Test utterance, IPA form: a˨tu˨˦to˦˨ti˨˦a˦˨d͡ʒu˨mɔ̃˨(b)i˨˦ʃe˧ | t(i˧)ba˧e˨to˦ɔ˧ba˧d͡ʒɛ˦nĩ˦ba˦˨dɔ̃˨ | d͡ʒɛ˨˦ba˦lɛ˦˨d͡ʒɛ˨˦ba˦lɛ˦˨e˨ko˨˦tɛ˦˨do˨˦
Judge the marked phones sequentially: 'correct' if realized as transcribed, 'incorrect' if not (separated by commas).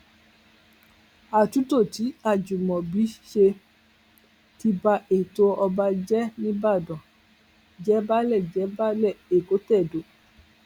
correct, correct